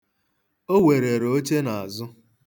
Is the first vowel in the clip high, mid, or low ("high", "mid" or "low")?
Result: mid